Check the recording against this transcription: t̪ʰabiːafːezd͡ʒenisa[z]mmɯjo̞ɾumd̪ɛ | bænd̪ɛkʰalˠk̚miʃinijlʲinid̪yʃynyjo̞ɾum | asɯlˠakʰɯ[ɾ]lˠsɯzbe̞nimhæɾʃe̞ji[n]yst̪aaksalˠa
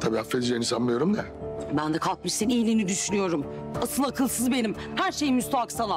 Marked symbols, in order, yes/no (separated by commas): no, no, no